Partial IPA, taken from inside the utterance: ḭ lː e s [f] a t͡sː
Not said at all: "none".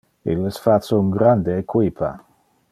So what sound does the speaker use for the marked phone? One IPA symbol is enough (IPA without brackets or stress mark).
f